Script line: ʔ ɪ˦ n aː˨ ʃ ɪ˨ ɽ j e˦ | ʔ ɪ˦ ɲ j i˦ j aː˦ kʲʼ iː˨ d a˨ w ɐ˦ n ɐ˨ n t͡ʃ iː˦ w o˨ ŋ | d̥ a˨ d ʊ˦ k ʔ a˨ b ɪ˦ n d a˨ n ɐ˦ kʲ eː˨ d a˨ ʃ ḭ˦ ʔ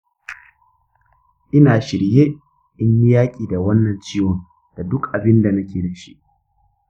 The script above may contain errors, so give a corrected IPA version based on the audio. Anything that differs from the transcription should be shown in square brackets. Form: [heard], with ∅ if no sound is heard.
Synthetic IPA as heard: ʔ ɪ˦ n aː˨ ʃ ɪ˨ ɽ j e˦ | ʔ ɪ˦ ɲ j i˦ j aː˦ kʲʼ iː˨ d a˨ w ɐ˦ [nː] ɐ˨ n t͡ʃ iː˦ w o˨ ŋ | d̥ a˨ d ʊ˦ k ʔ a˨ b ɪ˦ n d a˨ n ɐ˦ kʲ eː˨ d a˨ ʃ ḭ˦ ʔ

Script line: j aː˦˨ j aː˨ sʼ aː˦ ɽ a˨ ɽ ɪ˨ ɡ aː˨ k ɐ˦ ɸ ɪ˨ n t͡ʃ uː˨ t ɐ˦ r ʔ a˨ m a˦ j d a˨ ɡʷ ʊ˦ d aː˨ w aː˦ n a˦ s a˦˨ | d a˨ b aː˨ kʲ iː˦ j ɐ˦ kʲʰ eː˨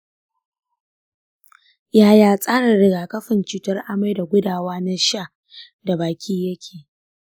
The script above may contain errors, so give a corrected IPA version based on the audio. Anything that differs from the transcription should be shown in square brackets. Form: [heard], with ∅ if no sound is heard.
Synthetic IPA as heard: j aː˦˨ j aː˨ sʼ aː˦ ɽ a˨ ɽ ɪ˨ ɡ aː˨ k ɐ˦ ɸ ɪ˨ n t͡ʃ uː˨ t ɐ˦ r ʔ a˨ m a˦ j d a˨ ɡʷ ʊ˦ d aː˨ w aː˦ n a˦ [ʃ] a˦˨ | d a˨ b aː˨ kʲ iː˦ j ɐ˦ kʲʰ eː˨

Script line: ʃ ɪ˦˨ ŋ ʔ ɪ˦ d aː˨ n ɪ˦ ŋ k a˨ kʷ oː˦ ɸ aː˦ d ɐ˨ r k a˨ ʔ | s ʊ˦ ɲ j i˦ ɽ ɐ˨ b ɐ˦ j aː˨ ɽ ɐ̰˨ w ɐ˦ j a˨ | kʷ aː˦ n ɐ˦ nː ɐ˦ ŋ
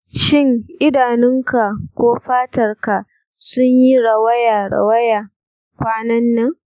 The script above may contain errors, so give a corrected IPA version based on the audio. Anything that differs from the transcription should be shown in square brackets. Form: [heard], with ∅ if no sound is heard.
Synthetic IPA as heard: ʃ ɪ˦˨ ŋ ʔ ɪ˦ d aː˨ n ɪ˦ ŋ k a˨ kʷ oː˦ ɸ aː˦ [t] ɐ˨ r k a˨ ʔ | s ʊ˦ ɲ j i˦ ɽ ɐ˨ [w] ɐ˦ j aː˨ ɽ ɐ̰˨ w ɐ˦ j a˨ | kʷ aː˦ n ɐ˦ nː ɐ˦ ŋ

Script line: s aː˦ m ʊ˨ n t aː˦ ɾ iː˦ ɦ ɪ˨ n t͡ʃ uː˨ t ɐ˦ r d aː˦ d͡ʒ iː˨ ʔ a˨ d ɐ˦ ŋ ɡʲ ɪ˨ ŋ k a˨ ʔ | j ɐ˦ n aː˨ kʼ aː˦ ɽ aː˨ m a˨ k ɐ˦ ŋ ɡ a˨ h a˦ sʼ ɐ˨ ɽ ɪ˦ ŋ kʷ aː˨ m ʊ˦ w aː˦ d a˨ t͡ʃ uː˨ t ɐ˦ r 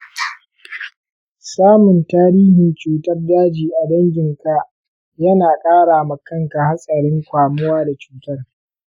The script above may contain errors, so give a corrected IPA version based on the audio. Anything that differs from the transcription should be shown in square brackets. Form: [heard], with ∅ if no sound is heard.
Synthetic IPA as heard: s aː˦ m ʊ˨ n t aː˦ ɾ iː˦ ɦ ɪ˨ n t͡ʃ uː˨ t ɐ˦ r d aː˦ d͡ʒ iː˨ ʔ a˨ d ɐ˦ ŋ ɡʲ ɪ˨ ŋ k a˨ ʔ | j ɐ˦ n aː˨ kʼ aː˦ ɽ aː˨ m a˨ k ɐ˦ ŋ [k] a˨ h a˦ sʼ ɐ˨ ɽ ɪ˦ ŋ kʷ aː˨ m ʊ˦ w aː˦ d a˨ t͡ʃ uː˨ t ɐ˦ r

